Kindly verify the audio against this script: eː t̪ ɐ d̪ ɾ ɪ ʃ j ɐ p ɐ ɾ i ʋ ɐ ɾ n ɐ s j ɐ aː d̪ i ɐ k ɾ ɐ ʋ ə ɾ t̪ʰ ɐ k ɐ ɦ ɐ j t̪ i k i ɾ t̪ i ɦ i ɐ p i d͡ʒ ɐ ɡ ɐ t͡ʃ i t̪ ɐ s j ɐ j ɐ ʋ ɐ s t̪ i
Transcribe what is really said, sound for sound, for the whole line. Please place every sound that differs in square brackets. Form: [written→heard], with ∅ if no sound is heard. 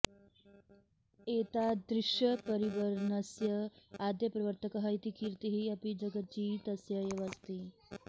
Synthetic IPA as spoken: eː t̪ [ɐ→a] d̪ ɾ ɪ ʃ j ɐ p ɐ ɾ i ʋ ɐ ɾ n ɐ s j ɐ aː d̪ [i→j] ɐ [k→p] ɾ ɐ ʋ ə ɾ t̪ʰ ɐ k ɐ ɦ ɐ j t̪ i k i ɾ t̪ i ɦ i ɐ p i d͡ʒ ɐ ɡ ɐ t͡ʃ i t̪ ɐ s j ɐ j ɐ ʋ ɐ s t̪ i